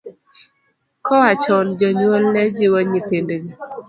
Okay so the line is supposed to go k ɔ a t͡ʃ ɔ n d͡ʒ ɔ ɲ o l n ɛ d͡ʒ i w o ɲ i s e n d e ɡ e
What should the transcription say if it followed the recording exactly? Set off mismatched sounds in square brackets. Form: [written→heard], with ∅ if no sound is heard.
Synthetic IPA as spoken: k ɔ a t͡ʃ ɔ n d͡ʒ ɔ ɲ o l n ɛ d͡ʒ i w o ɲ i [s→t] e n d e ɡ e